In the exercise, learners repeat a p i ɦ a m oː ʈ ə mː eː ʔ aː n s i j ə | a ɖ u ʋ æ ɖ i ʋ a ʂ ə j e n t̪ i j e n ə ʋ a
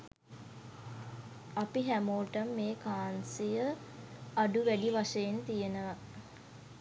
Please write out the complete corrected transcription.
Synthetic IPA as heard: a p i ɦ æ m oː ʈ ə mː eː k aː n s i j ə | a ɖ u ʋ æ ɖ i ʋ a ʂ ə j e n t̪ i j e n ə ʋ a